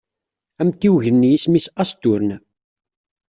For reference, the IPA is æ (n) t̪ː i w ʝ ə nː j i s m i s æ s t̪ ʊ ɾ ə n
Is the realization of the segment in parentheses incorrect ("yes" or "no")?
yes